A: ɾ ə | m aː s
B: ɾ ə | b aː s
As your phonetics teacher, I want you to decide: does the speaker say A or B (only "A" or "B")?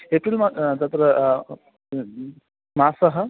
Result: A